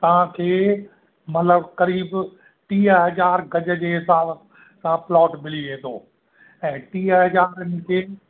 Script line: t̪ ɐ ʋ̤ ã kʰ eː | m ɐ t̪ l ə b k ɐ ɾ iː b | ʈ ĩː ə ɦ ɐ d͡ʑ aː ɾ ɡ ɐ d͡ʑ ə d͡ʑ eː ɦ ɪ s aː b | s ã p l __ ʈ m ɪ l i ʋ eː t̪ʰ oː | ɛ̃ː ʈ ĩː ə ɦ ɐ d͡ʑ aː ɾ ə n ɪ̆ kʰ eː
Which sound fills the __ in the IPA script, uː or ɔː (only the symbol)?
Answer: ɔː